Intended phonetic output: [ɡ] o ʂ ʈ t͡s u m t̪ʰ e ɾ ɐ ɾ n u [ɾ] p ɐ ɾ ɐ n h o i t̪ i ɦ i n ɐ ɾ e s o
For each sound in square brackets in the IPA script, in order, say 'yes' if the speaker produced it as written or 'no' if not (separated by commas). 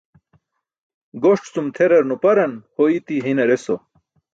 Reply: yes, no